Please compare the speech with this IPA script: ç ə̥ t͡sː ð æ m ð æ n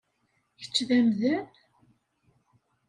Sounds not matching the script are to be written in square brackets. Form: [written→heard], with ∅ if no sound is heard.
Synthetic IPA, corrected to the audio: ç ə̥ t͡sː ð æ m ð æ n